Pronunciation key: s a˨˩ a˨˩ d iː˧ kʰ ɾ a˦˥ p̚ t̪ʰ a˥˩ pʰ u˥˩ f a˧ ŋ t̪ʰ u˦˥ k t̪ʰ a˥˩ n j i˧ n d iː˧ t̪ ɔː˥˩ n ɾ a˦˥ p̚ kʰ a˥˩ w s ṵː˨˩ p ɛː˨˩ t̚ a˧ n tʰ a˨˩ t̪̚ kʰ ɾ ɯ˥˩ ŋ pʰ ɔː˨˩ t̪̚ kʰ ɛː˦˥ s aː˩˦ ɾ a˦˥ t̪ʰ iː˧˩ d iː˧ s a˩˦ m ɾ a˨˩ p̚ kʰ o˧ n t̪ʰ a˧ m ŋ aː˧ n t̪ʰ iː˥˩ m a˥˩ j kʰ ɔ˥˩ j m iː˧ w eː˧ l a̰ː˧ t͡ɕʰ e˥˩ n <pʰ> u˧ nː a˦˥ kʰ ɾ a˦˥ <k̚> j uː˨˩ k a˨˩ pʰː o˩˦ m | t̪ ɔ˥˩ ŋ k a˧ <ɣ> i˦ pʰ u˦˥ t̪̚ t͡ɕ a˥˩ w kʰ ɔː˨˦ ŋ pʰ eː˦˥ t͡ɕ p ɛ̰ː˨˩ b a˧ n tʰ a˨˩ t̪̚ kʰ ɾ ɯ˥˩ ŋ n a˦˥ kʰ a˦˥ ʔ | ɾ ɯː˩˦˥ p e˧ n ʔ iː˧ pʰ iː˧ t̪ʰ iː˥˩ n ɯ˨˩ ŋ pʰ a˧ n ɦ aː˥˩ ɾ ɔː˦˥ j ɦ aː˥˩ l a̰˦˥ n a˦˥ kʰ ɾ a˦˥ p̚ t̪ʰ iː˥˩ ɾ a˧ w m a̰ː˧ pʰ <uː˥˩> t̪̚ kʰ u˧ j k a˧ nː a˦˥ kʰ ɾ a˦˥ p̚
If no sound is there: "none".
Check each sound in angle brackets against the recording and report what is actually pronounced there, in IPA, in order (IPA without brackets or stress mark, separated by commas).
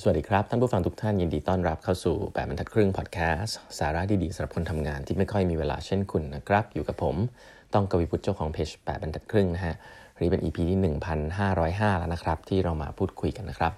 kʰ, p̚, w, uː˥˩